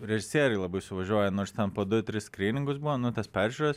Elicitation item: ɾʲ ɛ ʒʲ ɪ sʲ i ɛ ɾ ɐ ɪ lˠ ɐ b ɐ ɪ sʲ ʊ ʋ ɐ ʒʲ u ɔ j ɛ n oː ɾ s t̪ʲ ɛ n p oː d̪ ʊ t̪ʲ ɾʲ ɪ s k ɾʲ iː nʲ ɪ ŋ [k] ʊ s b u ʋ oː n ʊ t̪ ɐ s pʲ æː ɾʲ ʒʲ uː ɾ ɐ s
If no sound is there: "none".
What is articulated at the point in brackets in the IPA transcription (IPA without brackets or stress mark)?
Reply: ɡ